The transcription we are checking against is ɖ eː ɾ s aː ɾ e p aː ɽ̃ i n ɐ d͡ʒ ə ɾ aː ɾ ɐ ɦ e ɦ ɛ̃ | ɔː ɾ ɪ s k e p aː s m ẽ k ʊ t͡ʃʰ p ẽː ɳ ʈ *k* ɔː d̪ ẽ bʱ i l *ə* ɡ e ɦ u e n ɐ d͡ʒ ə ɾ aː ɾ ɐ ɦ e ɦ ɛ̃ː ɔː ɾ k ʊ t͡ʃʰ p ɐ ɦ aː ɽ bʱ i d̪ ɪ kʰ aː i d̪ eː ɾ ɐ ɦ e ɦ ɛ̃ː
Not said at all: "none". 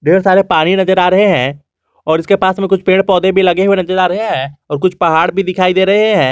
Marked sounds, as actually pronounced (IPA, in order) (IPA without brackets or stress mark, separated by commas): p, ɐ